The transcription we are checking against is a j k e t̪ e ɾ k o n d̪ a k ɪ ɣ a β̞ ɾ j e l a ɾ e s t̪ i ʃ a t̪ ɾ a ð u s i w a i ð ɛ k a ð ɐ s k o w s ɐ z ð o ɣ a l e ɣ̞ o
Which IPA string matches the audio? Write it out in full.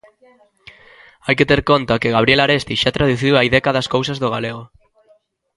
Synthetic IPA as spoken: a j k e t̪ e ɾ k o n t̪ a k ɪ ɣ a β̞ ɾ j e l a ɾ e s t̪ i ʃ a t̪ ɾ a ð u θ i w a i ð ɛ k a ð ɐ s k o w s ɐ z ð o ɣ a l e ɣ̞ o